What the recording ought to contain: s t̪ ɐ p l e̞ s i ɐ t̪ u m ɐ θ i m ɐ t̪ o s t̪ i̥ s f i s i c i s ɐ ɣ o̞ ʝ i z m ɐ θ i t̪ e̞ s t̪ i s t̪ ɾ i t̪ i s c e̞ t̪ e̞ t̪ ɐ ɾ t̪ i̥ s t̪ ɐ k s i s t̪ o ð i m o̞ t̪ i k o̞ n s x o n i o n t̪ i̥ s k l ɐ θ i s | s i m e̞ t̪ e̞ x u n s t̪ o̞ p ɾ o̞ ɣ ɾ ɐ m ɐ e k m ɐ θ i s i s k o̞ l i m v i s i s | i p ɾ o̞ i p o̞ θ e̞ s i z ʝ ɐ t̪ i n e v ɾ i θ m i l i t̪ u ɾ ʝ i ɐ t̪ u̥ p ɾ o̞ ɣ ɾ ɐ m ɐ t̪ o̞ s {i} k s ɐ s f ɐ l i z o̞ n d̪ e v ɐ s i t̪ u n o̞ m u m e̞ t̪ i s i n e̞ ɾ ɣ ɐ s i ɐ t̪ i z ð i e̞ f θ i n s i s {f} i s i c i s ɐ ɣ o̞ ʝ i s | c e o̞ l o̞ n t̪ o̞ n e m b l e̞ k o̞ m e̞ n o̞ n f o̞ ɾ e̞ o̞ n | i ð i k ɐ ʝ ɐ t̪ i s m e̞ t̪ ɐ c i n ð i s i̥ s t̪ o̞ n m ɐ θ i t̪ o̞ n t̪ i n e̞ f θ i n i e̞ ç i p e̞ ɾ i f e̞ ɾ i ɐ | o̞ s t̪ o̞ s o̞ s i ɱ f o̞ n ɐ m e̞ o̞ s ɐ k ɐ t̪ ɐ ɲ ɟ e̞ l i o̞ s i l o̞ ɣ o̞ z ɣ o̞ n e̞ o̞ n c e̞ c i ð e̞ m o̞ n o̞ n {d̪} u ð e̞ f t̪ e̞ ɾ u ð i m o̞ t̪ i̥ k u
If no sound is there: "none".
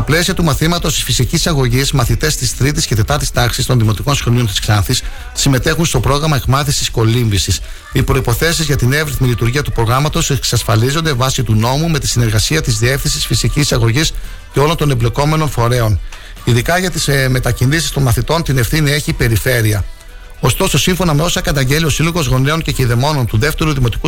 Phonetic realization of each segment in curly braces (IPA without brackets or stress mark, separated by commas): e, f, t̪